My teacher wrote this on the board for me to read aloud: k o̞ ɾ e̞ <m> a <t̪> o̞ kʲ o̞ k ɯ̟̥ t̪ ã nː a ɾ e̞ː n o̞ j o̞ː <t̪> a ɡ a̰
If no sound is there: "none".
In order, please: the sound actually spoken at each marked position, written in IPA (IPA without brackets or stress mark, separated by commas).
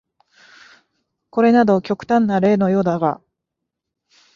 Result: n, d̪, d̪